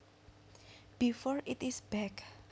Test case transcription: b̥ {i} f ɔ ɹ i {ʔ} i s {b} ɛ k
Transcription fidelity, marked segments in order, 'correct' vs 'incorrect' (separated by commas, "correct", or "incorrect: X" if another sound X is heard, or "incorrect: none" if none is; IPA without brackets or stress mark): correct, incorrect: t, correct